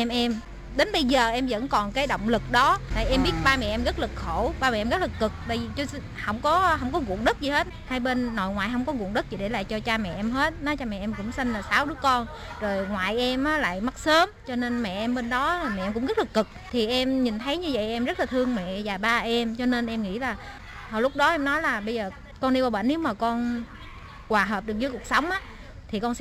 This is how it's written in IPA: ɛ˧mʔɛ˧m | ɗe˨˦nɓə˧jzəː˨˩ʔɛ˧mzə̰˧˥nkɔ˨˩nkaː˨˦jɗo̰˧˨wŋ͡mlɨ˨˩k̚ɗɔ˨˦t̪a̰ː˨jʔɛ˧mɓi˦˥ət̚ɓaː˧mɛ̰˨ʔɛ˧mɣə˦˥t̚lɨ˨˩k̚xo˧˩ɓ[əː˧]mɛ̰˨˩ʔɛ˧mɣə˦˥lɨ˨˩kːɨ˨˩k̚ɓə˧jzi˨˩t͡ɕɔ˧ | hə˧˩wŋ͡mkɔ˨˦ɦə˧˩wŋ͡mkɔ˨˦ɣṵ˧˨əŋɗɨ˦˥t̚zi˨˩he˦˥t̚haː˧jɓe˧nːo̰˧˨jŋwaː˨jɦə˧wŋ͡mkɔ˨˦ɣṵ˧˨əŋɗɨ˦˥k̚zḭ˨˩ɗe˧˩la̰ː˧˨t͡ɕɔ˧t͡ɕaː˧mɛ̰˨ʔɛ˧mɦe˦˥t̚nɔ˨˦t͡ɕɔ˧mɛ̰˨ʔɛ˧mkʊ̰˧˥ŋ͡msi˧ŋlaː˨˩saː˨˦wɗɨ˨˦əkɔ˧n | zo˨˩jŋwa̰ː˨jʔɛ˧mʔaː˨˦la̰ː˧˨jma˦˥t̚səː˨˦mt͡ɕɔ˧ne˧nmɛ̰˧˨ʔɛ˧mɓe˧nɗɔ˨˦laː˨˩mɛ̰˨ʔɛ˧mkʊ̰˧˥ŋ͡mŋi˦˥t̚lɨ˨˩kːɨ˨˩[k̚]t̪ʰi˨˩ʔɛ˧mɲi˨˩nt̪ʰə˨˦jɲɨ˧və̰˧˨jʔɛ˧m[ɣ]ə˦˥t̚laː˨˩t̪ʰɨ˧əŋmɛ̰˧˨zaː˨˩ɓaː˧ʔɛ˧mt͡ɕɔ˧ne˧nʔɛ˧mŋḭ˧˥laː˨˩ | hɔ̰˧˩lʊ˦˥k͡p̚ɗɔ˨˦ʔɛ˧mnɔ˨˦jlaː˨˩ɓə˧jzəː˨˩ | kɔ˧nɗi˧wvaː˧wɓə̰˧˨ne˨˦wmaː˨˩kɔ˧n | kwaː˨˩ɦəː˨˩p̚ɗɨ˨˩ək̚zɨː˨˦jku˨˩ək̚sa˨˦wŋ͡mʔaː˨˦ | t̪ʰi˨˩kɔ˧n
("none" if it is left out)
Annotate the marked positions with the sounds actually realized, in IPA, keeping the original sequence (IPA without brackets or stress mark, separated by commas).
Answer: aː˧, k̚, z